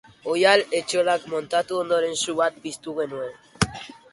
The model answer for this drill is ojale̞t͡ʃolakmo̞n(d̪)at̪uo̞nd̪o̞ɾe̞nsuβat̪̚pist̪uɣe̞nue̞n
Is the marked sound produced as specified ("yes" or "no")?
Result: no